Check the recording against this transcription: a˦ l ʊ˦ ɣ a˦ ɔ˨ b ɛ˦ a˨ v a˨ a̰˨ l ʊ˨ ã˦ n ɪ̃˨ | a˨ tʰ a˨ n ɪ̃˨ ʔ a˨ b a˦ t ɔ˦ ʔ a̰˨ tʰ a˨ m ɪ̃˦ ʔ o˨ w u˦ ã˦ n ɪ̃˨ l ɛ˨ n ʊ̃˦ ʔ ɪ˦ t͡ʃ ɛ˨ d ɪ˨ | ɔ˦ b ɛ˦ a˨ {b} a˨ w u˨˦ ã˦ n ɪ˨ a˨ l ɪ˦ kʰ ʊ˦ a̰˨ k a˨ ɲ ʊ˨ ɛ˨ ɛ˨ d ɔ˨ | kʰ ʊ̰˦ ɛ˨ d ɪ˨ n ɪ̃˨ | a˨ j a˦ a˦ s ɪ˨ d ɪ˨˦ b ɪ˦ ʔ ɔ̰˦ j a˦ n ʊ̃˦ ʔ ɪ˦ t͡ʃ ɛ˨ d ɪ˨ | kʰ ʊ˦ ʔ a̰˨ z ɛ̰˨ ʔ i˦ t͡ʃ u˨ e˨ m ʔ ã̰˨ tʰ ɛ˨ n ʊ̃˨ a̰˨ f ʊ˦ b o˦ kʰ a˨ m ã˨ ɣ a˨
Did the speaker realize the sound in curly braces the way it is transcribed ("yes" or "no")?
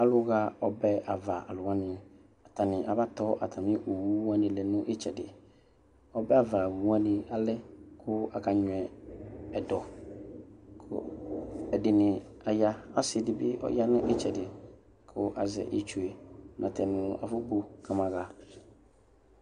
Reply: no